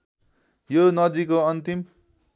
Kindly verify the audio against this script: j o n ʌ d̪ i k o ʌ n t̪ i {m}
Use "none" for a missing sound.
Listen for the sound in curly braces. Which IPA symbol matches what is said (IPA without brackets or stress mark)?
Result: m